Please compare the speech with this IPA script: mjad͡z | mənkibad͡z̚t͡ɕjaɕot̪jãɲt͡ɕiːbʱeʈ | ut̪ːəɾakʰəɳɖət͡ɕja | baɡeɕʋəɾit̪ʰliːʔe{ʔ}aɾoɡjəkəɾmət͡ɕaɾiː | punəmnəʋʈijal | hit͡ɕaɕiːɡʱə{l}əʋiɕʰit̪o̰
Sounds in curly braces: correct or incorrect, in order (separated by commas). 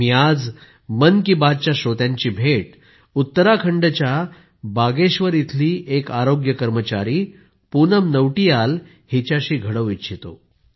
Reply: incorrect, incorrect